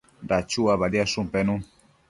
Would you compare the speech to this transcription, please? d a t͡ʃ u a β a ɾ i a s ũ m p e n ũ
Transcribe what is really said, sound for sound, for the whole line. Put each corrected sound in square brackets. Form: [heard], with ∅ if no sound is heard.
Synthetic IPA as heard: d a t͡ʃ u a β a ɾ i a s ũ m p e n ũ